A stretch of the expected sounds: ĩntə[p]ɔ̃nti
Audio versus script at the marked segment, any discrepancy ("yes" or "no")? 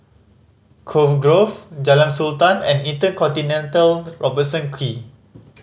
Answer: yes